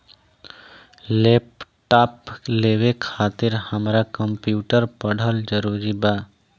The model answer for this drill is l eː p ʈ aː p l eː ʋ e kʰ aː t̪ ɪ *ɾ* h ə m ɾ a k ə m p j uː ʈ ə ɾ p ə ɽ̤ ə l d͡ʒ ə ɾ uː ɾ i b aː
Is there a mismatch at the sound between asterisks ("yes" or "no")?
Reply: no